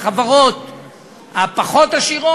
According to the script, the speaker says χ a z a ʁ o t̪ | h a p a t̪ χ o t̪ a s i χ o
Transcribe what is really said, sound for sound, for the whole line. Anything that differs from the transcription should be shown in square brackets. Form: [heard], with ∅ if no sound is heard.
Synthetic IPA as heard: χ a [v] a ʁ o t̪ | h a p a [∅] χ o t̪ a [ʃ] i [ʁ] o